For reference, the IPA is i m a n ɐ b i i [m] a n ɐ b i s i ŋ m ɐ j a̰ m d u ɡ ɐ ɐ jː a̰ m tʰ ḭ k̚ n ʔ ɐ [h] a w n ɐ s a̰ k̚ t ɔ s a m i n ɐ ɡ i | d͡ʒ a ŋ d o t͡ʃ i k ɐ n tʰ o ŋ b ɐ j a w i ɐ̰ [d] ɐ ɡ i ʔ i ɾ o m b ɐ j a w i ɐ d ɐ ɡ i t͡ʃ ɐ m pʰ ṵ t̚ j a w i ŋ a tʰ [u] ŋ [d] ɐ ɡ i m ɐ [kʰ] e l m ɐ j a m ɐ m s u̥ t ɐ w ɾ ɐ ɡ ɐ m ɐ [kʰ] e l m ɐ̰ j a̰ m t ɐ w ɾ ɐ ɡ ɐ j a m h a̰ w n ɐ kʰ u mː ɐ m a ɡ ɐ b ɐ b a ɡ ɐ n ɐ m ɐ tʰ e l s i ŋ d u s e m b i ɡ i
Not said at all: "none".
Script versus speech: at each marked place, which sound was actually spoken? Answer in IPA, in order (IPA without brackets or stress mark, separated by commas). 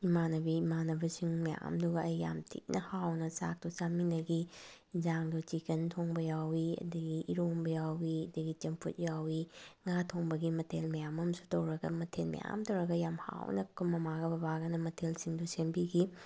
m, h, d, o, b, tʰ, tʰ